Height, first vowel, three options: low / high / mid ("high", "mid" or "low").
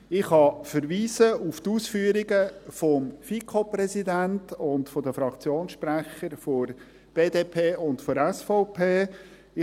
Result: high